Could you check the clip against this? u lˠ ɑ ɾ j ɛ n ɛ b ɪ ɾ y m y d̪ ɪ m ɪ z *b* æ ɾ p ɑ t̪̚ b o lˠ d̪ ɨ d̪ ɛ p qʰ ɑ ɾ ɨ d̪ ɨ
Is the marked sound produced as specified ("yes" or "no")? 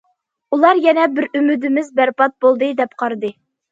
yes